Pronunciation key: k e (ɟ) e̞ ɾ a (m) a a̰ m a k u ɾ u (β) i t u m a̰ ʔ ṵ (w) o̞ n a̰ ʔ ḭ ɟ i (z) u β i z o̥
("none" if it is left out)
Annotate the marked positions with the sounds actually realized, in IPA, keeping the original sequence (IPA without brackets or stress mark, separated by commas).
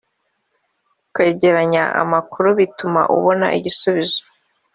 ɟ, ɲ, β, β, s